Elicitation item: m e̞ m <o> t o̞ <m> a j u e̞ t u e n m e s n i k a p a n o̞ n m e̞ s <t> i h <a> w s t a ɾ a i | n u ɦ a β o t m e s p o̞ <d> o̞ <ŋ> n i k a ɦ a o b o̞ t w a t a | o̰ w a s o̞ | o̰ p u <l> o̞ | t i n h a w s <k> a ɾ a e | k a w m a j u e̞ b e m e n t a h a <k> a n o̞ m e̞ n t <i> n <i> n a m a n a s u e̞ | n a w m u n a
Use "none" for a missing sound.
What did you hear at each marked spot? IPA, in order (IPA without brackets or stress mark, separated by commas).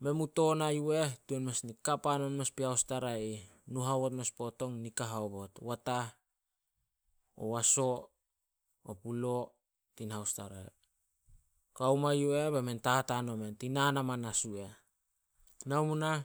u, n, p, a, t, ŋ, l, t, t, i, a